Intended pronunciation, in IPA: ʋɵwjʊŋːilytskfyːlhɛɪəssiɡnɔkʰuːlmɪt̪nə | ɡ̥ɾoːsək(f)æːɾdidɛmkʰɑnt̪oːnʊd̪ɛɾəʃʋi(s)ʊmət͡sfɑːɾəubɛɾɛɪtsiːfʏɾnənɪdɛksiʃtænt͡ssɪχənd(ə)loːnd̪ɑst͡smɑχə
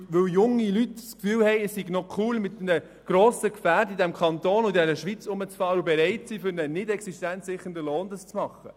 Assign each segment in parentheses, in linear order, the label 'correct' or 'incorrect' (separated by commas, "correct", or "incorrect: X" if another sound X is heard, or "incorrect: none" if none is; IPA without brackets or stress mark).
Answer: correct, incorrect: t͡s, correct